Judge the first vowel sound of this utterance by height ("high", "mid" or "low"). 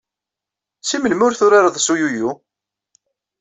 high